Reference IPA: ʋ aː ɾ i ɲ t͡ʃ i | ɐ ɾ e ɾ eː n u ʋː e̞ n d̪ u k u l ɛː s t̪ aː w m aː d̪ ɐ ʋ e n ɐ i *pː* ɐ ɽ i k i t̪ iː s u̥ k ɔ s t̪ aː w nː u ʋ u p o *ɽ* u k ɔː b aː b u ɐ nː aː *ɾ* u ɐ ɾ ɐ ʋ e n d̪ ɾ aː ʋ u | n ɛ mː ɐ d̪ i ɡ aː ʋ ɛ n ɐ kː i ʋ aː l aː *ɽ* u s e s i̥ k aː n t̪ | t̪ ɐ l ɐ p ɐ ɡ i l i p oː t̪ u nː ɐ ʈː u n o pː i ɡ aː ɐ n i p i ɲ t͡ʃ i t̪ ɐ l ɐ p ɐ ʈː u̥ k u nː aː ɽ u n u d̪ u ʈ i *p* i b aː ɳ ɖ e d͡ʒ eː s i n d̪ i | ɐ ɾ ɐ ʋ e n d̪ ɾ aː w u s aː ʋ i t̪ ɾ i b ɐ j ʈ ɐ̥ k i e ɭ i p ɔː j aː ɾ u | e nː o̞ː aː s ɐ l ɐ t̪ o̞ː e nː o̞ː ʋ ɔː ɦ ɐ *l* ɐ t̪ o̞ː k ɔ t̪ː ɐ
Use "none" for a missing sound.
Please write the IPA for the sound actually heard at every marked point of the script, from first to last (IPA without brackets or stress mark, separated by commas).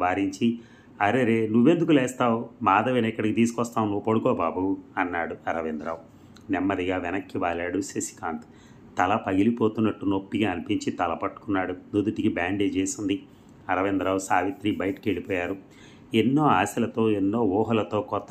kː, ɽ, ɽ, ɽ, k, l